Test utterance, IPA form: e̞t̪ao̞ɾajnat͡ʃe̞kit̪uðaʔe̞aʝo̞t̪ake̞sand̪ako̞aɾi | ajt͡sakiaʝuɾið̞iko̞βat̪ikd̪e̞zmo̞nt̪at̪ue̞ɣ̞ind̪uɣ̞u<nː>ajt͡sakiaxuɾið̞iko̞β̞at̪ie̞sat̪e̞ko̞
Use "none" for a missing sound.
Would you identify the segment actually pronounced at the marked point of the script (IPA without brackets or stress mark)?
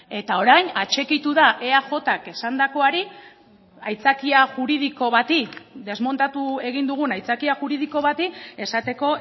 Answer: n